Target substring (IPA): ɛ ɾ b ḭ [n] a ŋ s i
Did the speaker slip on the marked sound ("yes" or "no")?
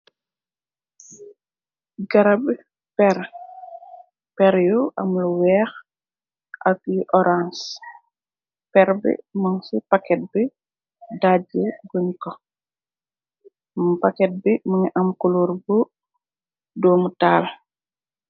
yes